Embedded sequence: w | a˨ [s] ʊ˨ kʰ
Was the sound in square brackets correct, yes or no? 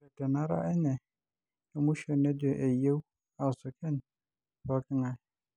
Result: yes